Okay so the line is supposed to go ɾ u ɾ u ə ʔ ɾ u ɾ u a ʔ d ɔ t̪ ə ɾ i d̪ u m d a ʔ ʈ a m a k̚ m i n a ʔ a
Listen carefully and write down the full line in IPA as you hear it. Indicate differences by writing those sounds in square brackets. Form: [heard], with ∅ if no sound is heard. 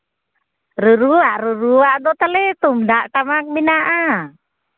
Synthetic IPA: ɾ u ɾ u [a] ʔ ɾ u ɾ u a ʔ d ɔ t̪ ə [l] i [t̪] u m d a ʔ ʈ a m a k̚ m i n a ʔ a